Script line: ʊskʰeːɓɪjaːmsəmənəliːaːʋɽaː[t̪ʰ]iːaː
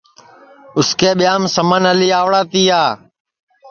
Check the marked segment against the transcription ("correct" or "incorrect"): incorrect